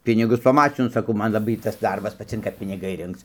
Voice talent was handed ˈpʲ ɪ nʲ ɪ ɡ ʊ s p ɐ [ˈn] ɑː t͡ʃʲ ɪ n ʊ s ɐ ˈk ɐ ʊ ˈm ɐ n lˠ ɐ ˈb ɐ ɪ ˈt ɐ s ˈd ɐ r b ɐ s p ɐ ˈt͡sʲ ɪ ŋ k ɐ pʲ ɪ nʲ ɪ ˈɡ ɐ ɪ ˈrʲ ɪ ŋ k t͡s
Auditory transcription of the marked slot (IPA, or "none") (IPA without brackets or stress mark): m